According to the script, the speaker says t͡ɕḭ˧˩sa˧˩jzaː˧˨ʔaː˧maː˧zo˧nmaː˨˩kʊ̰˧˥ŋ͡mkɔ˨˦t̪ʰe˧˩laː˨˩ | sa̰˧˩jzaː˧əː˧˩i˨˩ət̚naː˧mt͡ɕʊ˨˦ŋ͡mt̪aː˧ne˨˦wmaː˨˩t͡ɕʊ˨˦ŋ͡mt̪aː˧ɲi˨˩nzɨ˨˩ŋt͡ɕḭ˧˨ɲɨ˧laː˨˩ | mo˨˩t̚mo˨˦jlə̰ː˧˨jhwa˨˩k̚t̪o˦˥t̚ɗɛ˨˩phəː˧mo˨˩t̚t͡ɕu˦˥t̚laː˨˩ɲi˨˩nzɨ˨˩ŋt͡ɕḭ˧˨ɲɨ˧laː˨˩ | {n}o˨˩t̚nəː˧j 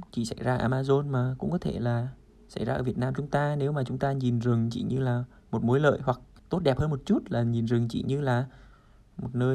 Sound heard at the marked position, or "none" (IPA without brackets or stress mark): m